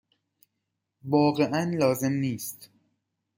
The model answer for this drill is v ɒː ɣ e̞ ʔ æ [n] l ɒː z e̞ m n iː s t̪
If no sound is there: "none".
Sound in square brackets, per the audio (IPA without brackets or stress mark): n